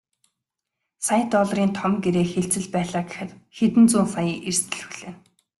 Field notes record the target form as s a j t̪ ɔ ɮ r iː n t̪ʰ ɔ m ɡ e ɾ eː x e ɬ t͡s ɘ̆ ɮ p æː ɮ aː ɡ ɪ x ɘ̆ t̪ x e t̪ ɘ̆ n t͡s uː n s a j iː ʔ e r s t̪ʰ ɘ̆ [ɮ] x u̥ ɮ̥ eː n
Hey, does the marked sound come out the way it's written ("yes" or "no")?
yes